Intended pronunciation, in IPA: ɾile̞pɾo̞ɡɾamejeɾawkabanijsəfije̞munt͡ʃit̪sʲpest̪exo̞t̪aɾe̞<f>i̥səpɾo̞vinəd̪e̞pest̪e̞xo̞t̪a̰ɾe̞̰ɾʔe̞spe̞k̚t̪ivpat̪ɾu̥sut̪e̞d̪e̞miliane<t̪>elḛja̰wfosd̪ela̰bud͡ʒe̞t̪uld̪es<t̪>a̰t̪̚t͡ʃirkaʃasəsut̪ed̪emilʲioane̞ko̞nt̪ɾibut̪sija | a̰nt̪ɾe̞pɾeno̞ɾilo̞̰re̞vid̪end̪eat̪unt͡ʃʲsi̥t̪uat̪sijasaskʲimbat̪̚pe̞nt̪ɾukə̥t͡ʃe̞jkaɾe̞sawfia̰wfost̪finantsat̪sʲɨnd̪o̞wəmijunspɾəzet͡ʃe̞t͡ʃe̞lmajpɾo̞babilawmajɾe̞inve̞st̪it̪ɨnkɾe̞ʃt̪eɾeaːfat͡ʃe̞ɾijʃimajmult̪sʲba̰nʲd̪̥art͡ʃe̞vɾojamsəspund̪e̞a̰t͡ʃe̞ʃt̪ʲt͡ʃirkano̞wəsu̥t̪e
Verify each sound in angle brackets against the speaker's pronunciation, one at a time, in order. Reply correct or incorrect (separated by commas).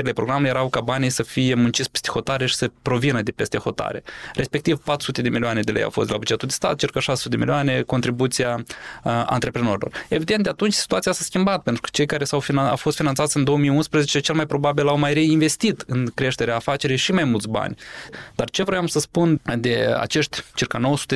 incorrect, incorrect, correct